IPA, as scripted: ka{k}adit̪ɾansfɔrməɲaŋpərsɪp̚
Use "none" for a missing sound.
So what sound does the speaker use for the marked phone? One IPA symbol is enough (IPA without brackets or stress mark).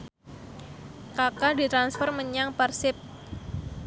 k